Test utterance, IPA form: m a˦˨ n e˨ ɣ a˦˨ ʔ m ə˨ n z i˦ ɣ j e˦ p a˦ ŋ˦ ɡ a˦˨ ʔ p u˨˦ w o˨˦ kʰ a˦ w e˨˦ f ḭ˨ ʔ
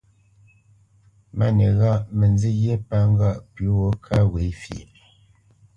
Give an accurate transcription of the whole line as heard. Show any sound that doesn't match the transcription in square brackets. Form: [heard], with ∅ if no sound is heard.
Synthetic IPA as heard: m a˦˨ n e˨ ɣ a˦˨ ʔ m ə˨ n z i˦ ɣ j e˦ p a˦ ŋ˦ ɡ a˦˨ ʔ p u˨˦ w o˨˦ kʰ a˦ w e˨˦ f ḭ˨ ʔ